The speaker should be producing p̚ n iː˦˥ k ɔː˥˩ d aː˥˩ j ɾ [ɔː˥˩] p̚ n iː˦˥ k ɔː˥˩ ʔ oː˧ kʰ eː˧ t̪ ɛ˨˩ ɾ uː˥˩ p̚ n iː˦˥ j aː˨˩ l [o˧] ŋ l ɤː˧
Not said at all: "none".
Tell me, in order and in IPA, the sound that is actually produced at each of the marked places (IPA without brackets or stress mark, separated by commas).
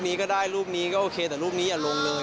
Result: uː˥˩, o˧